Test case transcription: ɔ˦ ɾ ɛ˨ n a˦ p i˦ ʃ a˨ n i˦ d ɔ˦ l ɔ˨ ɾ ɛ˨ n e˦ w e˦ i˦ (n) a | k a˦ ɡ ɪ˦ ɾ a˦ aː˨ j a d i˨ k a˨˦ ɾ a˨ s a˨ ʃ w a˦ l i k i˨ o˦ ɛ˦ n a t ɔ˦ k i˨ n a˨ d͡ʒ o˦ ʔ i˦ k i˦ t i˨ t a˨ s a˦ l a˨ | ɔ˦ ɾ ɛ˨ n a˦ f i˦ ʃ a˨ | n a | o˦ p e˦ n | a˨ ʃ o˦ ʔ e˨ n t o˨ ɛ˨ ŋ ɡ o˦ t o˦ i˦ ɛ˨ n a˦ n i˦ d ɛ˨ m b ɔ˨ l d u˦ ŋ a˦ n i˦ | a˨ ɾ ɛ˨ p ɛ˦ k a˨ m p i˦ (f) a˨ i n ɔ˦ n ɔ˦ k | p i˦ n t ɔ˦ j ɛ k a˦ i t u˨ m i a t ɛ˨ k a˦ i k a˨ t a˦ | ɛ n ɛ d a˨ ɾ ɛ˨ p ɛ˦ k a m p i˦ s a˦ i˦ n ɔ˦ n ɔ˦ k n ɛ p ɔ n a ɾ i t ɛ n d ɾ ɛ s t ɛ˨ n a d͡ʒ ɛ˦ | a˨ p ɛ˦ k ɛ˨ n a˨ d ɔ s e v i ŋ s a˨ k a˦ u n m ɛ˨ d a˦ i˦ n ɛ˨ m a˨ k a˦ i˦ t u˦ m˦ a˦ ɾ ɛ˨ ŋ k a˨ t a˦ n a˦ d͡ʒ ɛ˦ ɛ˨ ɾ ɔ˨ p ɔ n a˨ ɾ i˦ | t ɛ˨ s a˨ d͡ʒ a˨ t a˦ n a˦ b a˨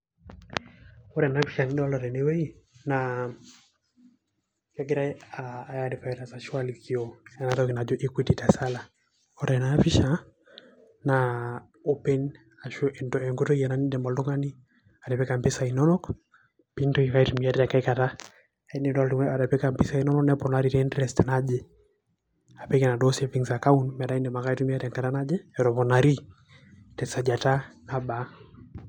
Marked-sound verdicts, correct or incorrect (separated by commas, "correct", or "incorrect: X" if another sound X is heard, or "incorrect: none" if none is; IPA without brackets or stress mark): correct, incorrect: s